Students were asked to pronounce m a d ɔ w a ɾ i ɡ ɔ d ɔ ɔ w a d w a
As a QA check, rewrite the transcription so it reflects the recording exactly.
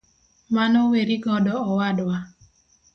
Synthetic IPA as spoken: m a n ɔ w e ɾ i ɡ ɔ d ɔ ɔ w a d w a